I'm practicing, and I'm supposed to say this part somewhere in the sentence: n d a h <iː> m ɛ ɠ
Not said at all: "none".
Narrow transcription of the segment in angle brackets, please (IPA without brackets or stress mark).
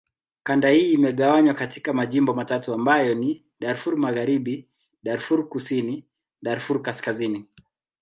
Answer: iː